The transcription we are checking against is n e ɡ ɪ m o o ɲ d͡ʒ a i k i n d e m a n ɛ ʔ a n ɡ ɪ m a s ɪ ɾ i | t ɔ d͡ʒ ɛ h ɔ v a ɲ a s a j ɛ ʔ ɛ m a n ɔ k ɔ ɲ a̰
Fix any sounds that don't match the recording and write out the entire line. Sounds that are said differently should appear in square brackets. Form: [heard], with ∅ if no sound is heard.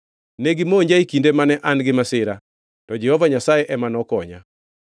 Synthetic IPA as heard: n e ɡ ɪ m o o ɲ d͡ʒ a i k i n d e m a n ɛ ʔ a n ɡ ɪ m a s ɪ ɾ [a] | t ɔ d͡ʒ ɛ h ɔ v a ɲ a s a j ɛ ʔ ɛ m a n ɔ k ɔ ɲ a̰